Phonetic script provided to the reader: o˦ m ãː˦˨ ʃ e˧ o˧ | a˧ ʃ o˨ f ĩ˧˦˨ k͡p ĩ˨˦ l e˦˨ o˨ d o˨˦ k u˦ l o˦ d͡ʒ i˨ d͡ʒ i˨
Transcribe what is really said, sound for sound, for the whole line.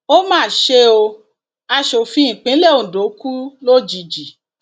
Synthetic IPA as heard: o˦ m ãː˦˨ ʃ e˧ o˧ | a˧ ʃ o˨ f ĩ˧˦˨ k͡p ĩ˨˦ l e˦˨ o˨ d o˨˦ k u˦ l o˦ d͡ʒ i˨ d͡ʒ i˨